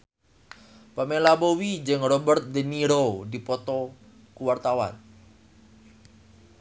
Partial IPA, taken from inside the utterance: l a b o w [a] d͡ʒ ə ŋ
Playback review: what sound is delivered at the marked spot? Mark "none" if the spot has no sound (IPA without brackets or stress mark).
i